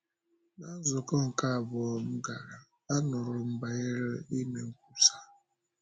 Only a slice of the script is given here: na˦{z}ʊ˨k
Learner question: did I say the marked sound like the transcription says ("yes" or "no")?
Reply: yes